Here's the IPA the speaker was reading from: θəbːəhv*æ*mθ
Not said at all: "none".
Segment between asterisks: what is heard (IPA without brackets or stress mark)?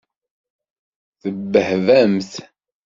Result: æ